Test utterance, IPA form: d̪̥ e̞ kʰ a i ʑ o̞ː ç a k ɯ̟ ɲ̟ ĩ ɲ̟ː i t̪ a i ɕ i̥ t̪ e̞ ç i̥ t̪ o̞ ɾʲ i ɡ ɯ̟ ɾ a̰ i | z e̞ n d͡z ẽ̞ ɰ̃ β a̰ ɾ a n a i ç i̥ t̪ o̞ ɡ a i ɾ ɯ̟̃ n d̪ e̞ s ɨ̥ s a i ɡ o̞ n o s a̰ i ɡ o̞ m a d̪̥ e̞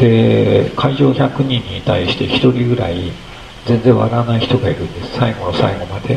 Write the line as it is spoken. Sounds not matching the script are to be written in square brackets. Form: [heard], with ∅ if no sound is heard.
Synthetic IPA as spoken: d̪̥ e̞ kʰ a i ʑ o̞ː ç a k ɯ̟ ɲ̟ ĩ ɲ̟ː i t̪ a i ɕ i̥ t̪ e̞ ç i̥ t̪ o̞ ɾʲ i ɡ ɯ̟ ɾ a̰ i | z [ẽ̞] n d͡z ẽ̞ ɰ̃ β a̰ ɾ a n a i ç i̥ t̪ o̞ ɡ a i ɾ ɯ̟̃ n d̪ e̞ s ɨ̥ s a i ɡ o̞ n o s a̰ i ɡ o̞ m a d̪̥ e̞